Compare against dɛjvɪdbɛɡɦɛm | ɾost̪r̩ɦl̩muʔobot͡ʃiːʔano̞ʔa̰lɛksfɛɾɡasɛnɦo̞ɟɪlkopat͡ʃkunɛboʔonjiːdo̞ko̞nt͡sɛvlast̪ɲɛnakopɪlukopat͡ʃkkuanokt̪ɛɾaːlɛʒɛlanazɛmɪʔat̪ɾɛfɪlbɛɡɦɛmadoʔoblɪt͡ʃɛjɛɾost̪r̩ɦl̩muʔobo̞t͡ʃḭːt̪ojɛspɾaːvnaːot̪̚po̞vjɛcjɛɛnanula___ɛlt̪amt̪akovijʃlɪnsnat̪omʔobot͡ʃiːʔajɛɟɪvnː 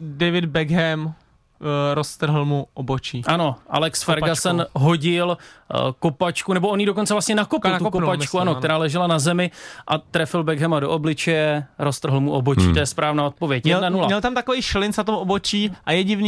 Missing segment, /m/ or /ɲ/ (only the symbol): ɲ